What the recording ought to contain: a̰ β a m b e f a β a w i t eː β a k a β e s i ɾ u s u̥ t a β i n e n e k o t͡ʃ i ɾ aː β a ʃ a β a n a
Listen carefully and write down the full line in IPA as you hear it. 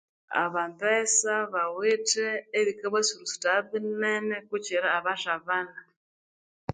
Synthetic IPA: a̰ β a m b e s a β a w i t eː β i k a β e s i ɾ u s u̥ t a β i n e n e k u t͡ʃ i ɾ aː β a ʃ a β a n a

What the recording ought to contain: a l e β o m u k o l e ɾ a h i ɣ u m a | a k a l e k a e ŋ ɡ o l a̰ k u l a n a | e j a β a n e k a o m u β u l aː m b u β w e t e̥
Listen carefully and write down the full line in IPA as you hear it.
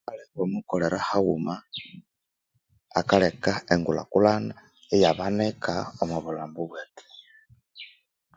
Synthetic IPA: a l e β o m u k o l e ɾ a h a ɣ u m a | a k a l e k a e ŋ ɡ u l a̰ k u l a n a | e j a β a n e k a o m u β u l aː m b u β w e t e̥

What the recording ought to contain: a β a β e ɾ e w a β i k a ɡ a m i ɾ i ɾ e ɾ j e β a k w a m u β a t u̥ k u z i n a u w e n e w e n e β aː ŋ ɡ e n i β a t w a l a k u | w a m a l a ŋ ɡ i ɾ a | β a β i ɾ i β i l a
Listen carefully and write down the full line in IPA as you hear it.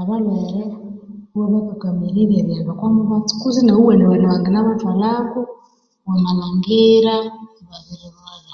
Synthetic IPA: a β a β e ɾ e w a β a k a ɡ a m i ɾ i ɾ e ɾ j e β a k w a m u β a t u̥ k u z i n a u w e n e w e n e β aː ŋ ɡ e n a β a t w a l a k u | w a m a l a ŋ ɡ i ɾ a | β a β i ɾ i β a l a

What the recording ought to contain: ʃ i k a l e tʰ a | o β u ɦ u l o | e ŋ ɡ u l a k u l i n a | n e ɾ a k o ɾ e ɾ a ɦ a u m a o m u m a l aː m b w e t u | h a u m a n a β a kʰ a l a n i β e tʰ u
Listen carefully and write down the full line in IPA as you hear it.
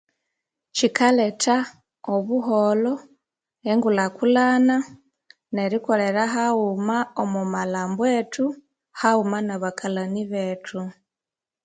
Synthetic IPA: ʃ i k a l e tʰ a | o β u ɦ o l o | e ŋ ɡ u l a k u l a n a | n e ɾ i k o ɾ e ɾ a ɦ a u m a o m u m a l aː m b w e t u | h a u m a n a β a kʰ a l a n i β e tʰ u

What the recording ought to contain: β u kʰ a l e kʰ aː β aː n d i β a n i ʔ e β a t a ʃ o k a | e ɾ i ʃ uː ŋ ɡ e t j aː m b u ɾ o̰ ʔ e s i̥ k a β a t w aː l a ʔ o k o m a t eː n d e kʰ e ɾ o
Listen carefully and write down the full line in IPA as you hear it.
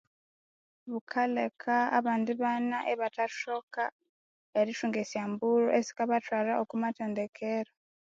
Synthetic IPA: β u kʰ a l e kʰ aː β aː n d i β a n a ʔ e β a t a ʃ o k a | e ɾ i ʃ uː ŋ ɡ e s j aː m b u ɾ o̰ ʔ e s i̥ k a β a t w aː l a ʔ o k u m a t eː n d e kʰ e ɾ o

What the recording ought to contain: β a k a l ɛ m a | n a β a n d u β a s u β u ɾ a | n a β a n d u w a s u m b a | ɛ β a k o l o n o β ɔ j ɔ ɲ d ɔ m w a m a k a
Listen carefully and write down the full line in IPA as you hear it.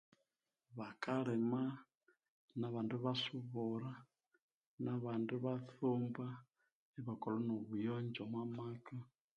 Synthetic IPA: β a k a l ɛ m a | n a β a n d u β a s u β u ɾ a | n a β a n d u β a θ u m b a | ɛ β a k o l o n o β u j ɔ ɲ d͡ʒ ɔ m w a m a k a

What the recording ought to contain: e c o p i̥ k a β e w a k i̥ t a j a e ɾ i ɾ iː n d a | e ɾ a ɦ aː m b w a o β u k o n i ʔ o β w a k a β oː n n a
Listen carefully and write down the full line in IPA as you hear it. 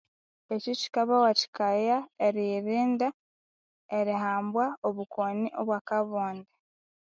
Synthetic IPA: e c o c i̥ k a β a w a c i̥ k a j a e ɾ i ɾ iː n d a | e ɾ i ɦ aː m b w a o β u k o n i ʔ o β w a k a β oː n d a

